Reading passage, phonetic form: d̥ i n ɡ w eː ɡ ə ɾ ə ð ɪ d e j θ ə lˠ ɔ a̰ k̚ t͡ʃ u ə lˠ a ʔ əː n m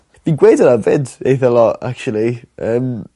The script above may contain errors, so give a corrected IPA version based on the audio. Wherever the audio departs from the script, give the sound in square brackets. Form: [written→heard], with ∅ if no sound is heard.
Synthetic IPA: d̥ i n ɡ w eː [ɡ→d] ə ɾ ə [ð→v] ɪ d e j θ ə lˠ ɔ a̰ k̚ t͡ʃ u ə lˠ [a→i] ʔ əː [n→∅] m

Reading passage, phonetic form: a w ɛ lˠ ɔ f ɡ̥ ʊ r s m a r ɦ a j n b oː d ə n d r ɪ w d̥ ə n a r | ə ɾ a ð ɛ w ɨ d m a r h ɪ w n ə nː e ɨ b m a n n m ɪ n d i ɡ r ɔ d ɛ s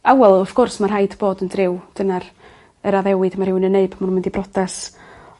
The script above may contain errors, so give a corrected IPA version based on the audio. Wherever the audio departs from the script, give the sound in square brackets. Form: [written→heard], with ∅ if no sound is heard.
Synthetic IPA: a w ɛ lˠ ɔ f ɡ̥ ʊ r s m a r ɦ a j [n→d] b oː d ə n d r ɪ w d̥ ə n a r | ə ɾ a ð ɛ w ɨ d m a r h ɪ w n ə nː e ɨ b m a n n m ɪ n d i [ɡ→b] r ɔ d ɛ s

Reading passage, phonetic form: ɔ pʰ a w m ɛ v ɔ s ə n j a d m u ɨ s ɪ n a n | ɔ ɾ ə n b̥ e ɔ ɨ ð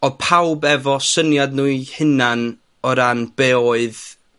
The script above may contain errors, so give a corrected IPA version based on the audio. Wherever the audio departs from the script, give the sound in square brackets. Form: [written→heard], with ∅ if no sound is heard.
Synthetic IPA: ɔ pʰ a w [m→b] ɛ v ɔ s ə n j a d [m→n] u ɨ [s→h] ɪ n a n | ɔ ɾ [ə→a] n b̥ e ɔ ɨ ð

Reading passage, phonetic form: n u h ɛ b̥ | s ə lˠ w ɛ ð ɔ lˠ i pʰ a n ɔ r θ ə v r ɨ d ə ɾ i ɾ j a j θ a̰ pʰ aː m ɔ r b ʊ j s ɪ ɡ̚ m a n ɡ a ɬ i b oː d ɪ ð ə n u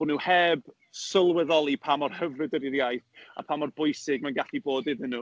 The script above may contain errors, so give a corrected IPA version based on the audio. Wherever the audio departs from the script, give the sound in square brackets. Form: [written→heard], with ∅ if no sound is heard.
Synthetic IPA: n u h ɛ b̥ | s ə lˠ w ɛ ð ɔ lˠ i pʰ a [n→m] ɔ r [θ→h] ə v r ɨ d ə ɾ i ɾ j a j θ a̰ pʰ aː m ɔ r b ʊ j s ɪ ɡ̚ m a n ɡ a ɬ i b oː d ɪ ð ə n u

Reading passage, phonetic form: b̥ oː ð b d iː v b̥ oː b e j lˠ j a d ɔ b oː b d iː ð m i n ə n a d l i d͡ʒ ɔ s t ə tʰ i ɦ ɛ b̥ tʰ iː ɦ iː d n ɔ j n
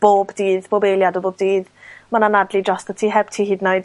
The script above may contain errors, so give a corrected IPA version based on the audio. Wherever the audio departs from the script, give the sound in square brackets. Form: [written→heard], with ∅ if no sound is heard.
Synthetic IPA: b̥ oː [ð→∅] b d iː [v→ð] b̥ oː b e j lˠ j a d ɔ b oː b d iː ð m [i→a] n [ə→a] n a d l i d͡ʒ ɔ s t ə tʰ i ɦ ɛ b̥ tʰ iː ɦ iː d n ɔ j [n→d]

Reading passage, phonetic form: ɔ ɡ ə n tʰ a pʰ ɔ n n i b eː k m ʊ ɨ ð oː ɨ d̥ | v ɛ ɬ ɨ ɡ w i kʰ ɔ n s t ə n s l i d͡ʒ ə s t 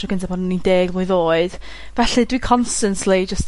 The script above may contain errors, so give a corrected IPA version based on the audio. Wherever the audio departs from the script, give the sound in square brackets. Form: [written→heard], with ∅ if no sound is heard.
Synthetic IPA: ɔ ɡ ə n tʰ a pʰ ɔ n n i [b→d] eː [k→ɡ] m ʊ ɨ ð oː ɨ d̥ | v ɛ ɬ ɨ [ɡ→d] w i kʰ ɔ n s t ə n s l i d͡ʒ ə s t

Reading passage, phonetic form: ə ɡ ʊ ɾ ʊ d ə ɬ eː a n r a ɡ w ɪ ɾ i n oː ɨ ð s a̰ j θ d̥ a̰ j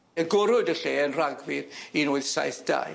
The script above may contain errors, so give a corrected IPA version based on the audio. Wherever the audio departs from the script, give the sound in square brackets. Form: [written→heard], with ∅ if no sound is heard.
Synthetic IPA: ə ɡ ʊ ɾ ʊ d ə ɬ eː [a→ə] n r a ɡ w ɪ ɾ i n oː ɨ ð s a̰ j θ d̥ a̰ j

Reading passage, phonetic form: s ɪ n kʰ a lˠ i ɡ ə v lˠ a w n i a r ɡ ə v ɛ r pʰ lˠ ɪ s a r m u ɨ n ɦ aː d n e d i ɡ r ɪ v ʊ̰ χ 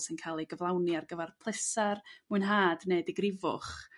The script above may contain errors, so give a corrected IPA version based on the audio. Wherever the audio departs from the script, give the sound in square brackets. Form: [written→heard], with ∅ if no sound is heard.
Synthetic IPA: s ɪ n kʰ a lˠ i ɡ ə v lˠ a w n i a r ɡ ə v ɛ r pʰ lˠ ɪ s a r m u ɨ n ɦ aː d n e d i ɡ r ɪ v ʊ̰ χ

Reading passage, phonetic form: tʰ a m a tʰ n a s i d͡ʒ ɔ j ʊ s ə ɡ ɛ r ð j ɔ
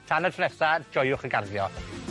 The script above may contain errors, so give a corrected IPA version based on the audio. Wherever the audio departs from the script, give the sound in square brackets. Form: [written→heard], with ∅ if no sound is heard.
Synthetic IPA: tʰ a [m→n] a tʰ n [a→ɛ] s [i→a] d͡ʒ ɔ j ʊ [s→χ] ə ɡ [ɛ→a] r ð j ɔ

